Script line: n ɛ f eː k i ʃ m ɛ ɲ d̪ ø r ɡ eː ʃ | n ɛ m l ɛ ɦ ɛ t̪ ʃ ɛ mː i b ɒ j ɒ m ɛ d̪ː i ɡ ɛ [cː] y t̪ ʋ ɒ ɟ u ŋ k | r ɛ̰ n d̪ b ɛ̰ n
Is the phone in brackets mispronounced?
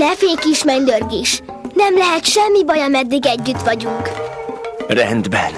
yes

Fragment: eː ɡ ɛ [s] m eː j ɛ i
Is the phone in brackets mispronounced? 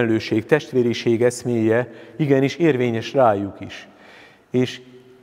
no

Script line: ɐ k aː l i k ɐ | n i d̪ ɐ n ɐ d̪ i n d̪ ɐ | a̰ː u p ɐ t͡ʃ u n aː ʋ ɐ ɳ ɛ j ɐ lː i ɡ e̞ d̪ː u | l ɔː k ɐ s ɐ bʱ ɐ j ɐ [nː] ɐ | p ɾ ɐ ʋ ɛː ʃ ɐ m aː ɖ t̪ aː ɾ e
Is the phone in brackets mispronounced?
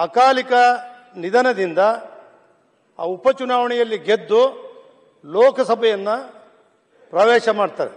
no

